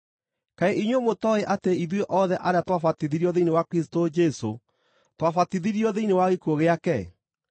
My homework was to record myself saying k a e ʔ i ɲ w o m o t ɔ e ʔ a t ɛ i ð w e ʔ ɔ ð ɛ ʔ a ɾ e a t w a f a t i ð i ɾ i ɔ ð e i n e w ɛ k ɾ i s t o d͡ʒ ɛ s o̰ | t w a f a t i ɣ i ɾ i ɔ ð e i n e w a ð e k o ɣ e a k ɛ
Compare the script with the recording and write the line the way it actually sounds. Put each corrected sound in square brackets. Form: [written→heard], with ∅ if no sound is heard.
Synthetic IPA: k a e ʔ i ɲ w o m o t ɔ e ʔ a t [ɛ→e] i ð w e ʔ ɔ ð ɛ ʔ a ɾ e a t w a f a t i ð i ɾ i ɔ ð e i n e w [ɛ→a] k ɾ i s t o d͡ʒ ɛ s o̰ | t w a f a t i [ɣ→ð] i ɾ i ɔ ð e i n e w a [ð→ɣ] e k o ɣ e a k ɛ